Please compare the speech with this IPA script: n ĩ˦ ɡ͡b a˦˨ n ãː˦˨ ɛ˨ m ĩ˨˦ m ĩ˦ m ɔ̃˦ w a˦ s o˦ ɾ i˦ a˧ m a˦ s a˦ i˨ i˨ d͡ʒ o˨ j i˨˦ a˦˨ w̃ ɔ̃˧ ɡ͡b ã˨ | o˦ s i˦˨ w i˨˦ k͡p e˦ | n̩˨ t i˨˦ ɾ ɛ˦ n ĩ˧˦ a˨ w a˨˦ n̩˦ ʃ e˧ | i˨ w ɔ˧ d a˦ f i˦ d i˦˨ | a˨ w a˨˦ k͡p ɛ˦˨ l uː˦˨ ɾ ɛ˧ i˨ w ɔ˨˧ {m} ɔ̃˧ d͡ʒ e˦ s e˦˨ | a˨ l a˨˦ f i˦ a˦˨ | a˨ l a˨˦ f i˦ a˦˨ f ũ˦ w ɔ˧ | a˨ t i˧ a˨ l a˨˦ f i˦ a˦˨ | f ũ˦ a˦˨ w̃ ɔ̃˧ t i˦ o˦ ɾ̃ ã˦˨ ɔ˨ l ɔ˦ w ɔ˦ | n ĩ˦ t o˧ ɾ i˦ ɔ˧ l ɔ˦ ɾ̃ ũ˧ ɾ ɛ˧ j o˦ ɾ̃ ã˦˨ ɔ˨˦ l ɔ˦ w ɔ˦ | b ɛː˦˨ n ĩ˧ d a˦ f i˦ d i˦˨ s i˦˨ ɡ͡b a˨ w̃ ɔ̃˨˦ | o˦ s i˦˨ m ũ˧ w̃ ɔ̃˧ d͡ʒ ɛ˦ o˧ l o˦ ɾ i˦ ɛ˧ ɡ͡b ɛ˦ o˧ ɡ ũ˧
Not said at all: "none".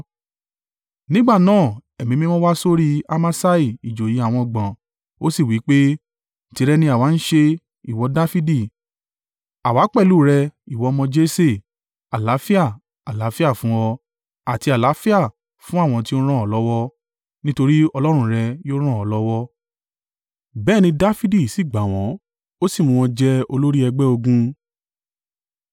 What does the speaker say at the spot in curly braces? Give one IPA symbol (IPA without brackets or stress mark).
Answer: m